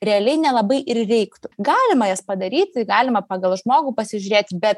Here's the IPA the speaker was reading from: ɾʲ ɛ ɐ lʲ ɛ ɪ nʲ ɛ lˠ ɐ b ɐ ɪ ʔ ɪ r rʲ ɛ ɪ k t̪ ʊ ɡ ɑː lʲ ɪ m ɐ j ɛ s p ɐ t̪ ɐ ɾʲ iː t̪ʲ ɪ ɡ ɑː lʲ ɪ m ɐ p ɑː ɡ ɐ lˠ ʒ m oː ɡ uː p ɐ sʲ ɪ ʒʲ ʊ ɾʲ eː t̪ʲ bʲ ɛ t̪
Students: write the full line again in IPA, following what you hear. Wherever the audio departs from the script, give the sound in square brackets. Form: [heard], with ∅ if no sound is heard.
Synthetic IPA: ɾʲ ɛ ɐ lʲ ɛ ɪ nʲ ɛ lˠ ɐ b ɐ ɪ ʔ ɪ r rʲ ɛ ɪ k t̪ ʊ ɡ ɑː lʲ ɪ m ɐ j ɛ s p ɐ [d̪] ɐ ɾʲ iː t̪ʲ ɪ ɡ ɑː lʲ ɪ m ɐ p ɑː ɡ ɐ lˠ ʒ m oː ɡ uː p ɐ sʲ ɪ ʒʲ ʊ ɾʲ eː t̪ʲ bʲ ɛ t̪